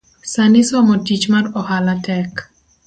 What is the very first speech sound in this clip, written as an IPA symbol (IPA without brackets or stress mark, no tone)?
s